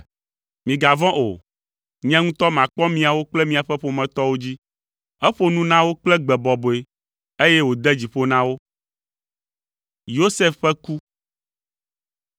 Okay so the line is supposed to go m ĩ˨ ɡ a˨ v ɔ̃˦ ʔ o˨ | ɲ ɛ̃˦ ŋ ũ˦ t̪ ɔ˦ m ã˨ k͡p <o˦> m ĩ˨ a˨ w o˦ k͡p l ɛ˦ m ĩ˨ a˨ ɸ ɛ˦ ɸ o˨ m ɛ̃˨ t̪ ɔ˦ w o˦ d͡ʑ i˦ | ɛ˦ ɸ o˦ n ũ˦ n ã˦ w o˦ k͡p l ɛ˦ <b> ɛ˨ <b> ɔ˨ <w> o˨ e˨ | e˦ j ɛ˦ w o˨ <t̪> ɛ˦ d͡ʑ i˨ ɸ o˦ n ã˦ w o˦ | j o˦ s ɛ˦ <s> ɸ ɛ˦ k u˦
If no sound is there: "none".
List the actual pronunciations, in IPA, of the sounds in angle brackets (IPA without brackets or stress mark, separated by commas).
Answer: ɔ˦, ɡ͡b, b, b, d̪, f